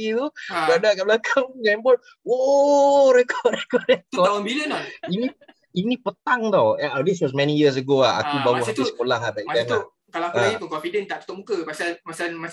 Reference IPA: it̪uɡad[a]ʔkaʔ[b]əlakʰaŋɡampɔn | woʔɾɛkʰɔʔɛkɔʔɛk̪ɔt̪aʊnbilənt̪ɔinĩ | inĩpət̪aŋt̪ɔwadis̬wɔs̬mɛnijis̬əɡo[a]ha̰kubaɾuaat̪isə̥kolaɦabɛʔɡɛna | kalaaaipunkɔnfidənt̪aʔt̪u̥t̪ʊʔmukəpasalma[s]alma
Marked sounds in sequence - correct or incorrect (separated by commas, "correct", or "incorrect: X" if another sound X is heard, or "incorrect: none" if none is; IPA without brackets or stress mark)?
correct, correct, correct, correct